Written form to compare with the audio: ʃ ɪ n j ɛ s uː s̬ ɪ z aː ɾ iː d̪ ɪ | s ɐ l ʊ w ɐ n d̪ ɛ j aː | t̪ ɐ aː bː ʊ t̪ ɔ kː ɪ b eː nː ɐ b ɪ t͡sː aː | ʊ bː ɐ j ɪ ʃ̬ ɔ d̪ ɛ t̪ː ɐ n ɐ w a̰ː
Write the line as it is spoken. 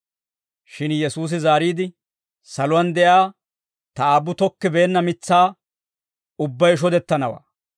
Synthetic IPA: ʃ ɪ n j ɛ s uː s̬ ɪ z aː ɾ iː d̪ ɪ | s ɐ l ʊ w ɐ n d̪ ɛ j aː | t̪ ɐ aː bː ʊ t̪ ɔ kː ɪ b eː nː ɐ m ɪ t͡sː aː | ʊ bː ɐ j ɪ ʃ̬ ɔ d̪ ɛ t̪ː ɐ n ɐ w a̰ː